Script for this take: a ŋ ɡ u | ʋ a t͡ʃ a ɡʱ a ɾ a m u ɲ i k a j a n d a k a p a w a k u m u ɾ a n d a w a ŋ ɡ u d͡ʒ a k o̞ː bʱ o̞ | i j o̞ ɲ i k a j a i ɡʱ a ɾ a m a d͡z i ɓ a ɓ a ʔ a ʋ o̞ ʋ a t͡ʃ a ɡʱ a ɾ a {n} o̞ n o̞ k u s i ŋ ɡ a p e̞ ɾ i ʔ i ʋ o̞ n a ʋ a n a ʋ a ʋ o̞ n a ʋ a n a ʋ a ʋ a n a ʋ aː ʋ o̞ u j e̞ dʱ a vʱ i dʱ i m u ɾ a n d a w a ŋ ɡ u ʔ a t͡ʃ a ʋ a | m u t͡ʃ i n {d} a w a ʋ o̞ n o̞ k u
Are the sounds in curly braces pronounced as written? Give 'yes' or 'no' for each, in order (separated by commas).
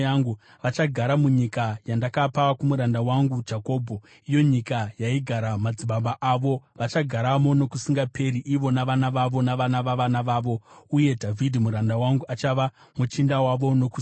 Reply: no, yes